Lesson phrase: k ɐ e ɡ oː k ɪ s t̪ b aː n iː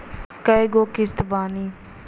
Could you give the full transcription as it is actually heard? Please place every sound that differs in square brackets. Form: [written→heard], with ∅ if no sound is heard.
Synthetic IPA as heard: k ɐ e ɡ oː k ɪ s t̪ b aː n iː